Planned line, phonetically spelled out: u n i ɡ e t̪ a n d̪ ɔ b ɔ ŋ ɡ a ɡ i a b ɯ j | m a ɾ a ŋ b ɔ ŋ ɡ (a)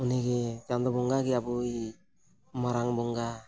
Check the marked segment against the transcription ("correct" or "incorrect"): correct